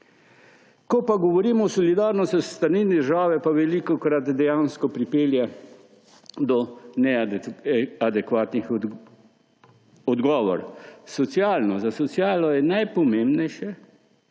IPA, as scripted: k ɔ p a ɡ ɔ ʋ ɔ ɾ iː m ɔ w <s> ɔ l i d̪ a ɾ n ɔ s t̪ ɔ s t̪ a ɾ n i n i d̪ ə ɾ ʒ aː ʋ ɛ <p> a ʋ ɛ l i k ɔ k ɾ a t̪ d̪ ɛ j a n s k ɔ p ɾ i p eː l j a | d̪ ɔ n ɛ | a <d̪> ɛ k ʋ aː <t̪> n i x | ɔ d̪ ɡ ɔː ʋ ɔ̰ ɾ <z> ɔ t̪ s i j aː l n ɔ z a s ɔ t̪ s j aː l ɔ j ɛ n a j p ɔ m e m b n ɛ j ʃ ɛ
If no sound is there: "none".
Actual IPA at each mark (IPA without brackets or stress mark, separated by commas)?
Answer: s, p, d̪, t̪, s